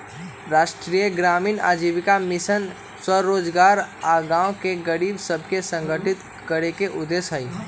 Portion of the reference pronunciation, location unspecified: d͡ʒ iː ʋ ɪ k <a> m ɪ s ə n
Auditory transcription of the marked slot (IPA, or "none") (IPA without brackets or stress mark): a